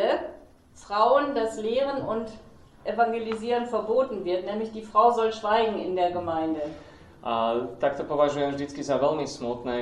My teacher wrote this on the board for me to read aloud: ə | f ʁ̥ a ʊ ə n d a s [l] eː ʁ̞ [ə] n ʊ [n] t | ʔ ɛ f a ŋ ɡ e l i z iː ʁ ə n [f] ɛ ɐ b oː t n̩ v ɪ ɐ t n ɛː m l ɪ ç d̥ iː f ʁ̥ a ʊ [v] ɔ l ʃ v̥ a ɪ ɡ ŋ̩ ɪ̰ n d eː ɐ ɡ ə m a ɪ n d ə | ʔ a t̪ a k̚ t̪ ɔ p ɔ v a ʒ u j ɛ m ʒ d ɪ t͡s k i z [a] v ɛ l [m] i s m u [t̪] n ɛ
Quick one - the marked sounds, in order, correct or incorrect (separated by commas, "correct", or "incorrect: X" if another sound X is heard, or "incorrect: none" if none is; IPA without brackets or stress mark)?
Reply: correct, correct, correct, correct, incorrect: z, correct, correct, correct